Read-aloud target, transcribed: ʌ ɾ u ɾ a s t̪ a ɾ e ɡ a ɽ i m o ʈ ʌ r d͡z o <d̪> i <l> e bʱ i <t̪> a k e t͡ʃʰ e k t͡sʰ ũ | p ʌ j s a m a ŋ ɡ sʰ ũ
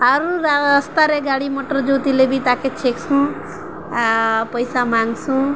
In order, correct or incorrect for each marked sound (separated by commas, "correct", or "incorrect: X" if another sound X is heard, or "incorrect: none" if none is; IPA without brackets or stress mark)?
incorrect: t̪, correct, correct